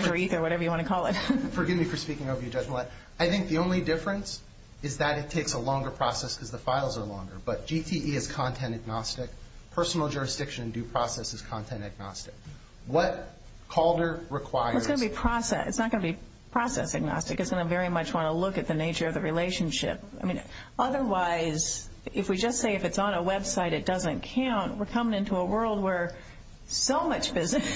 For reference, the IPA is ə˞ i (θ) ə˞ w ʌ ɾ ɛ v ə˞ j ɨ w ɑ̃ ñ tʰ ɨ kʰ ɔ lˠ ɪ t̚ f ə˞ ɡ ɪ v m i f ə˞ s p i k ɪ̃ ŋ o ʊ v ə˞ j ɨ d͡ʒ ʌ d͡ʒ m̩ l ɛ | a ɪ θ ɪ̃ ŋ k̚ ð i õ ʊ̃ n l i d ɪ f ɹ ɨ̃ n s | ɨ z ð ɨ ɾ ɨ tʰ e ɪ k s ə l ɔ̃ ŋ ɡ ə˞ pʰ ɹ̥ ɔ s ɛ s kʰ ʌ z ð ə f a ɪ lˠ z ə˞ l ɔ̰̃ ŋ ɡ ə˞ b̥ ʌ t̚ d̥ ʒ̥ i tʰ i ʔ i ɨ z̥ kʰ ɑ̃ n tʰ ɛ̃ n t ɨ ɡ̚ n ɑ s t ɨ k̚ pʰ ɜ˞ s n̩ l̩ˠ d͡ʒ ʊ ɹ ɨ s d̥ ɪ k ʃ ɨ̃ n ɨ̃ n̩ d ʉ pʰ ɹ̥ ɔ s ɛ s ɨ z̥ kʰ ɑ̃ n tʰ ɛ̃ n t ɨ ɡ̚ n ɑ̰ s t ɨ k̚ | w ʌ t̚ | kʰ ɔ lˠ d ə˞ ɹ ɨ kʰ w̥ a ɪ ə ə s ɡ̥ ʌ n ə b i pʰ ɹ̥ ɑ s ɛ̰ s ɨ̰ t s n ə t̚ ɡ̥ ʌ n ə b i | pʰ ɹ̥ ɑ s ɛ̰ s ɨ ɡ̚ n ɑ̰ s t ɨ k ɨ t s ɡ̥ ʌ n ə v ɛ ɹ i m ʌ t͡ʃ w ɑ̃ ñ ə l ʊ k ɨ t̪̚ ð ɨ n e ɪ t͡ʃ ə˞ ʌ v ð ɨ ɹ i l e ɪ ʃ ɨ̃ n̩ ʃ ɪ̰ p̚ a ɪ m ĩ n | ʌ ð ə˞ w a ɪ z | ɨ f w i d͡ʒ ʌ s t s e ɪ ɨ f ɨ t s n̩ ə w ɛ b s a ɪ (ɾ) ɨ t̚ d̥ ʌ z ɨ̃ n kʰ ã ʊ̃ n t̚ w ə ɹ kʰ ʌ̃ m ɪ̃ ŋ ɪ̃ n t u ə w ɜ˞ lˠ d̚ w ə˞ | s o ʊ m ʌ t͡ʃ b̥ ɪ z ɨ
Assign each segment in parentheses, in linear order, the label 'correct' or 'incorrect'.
correct, correct

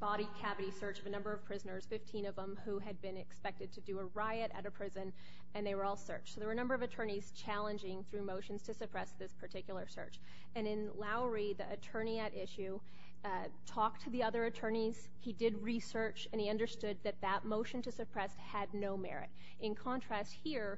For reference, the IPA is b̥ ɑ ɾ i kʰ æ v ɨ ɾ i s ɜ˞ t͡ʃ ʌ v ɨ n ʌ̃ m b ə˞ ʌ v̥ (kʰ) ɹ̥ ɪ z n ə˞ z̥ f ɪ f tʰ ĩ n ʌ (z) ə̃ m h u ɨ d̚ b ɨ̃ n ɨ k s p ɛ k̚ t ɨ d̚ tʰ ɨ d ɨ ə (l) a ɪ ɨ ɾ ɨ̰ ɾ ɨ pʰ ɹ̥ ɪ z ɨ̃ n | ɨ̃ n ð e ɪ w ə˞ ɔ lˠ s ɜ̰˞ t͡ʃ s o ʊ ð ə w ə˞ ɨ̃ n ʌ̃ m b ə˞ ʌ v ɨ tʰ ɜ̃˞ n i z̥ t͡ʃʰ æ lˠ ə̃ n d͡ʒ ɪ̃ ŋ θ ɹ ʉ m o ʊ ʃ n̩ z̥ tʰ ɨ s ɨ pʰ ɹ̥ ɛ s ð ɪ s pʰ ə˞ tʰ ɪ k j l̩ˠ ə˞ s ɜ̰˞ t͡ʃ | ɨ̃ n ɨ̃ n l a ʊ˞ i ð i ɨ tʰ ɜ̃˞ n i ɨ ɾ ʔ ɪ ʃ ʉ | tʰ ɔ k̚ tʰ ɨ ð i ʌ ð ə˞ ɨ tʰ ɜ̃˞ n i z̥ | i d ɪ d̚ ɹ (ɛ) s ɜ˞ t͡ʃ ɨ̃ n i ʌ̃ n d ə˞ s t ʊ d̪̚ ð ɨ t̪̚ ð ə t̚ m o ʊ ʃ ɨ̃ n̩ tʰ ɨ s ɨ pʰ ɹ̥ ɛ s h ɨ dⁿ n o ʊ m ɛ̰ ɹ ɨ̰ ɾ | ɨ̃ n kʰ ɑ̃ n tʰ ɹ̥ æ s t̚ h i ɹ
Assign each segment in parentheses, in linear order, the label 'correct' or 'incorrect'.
incorrect: pʰ, incorrect: v, incorrect: ɹ, incorrect: i

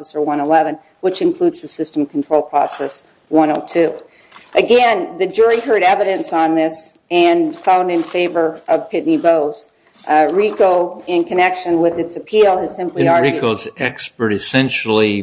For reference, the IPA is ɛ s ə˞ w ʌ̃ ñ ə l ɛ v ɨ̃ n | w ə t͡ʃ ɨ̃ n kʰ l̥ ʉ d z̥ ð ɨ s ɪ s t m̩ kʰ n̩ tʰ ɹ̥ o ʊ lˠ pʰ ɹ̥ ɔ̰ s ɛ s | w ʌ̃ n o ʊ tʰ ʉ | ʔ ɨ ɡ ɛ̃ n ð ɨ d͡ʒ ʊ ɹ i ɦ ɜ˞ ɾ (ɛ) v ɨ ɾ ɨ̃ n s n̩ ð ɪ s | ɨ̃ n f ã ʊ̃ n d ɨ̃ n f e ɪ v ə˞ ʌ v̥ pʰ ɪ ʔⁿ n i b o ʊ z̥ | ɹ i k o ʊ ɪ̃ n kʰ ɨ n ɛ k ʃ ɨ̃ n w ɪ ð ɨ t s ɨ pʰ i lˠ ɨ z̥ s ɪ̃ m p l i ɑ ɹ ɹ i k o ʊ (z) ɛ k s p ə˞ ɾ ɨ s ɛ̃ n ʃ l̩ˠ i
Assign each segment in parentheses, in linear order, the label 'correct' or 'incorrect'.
correct, correct

